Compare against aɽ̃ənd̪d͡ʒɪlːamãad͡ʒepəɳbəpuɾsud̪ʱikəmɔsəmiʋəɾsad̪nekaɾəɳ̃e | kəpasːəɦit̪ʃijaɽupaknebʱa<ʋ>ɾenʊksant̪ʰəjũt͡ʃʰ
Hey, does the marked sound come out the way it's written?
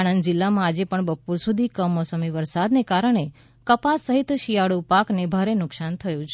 no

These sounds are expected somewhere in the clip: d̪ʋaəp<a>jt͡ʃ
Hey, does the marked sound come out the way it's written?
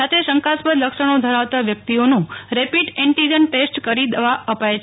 yes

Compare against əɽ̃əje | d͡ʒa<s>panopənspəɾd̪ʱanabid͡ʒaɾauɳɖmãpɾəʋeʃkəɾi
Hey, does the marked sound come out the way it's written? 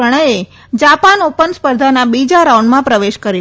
no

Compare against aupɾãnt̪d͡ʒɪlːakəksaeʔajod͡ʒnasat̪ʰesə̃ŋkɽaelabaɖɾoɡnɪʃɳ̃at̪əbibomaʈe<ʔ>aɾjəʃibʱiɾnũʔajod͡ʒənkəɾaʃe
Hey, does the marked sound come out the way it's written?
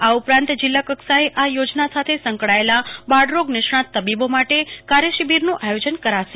no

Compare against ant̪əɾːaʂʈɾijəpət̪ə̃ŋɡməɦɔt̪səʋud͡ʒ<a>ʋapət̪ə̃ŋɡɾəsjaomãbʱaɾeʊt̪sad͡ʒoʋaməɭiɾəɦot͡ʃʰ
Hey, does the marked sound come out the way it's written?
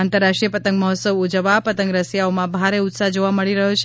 no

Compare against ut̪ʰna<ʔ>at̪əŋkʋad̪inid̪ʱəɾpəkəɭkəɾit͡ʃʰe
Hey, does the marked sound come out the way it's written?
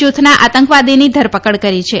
yes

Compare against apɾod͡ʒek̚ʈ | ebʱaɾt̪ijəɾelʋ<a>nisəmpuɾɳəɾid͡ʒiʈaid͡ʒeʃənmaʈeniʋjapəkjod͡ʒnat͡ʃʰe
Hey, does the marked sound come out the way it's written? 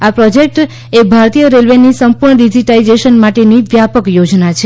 no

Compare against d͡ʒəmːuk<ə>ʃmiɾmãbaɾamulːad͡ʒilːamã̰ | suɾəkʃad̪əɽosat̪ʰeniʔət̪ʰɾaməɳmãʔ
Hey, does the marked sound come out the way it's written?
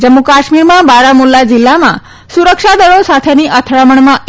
no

